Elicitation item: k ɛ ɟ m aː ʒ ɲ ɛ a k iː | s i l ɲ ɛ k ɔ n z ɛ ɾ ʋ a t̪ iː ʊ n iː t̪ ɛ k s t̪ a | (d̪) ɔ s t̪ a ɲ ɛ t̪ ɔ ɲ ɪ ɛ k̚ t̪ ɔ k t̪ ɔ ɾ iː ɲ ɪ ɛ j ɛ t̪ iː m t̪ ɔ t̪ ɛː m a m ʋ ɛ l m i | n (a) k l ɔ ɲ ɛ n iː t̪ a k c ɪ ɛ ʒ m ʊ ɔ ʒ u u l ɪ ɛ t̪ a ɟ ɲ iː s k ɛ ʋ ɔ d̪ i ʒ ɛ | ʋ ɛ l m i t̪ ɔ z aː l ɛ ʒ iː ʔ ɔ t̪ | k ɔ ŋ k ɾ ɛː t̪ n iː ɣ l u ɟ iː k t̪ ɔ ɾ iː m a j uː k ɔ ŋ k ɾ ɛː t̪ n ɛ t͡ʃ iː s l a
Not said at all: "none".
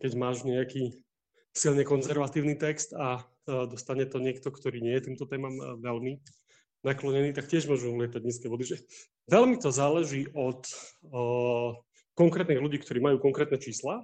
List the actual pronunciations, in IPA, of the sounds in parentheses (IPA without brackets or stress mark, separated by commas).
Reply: d̪, a